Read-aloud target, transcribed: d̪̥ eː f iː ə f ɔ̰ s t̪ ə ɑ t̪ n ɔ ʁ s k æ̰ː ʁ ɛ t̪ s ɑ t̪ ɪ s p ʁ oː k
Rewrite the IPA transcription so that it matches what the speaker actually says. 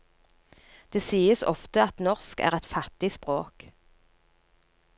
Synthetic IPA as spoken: d̪̥ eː s iː ə s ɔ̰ f t̪ ə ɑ t̪ n ɔ ʁ s k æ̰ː ʁ ɛ t̪ f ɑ t̪ ɪ s p ʁ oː k